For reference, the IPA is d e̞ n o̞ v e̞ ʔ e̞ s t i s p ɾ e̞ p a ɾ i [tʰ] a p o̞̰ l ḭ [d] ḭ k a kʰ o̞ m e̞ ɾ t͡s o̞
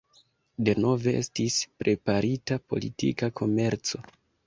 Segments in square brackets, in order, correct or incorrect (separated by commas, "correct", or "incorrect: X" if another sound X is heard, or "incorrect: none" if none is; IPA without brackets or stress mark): incorrect: t, incorrect: t